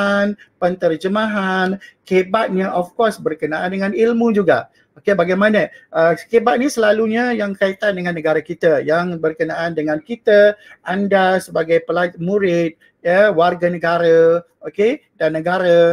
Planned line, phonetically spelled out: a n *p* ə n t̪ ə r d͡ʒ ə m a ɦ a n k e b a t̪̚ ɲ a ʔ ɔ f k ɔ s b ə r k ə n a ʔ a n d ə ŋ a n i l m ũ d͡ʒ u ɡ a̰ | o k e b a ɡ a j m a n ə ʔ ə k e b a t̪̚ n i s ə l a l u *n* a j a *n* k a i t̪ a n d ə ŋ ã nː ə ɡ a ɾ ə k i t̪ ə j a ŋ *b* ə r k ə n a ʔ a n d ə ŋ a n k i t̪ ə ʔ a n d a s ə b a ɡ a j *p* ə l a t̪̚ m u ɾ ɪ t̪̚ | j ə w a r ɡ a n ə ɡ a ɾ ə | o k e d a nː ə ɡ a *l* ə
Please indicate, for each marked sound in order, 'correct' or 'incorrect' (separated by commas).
correct, incorrect, incorrect, correct, correct, incorrect